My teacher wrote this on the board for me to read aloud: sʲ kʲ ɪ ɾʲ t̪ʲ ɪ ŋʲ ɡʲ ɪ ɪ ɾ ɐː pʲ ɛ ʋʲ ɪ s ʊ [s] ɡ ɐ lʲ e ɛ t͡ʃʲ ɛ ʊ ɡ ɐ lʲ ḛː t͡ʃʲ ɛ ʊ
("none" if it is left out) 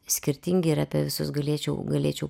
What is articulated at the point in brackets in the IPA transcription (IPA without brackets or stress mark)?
s